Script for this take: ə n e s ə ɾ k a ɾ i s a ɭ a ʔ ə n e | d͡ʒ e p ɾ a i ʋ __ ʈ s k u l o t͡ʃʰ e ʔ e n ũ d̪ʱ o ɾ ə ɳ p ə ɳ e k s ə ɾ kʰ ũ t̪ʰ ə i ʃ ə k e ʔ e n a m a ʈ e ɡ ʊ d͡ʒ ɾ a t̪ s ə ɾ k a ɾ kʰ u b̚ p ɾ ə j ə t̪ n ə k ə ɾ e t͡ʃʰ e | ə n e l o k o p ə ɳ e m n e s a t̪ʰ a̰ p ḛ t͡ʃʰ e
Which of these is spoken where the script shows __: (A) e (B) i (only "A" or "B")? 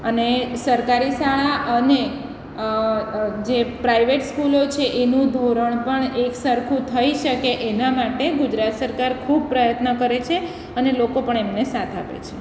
A